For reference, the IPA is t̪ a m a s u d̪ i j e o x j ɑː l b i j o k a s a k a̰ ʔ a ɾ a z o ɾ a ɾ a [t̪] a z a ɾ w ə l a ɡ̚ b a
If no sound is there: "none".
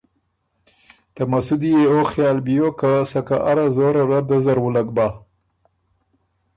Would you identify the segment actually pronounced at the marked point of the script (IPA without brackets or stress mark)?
d̪